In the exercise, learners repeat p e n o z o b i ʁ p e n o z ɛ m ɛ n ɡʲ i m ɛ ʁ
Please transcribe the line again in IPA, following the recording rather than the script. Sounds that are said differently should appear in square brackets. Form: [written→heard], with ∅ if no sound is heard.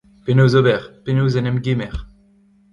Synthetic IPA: p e n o z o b [i→ɛ] ʁ p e n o z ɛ [m→n] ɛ [n→m] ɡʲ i m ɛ ʁ